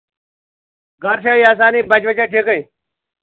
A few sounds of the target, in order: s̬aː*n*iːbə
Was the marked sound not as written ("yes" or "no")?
no